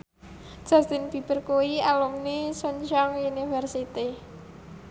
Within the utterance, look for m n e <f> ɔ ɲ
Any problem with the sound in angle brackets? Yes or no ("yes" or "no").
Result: yes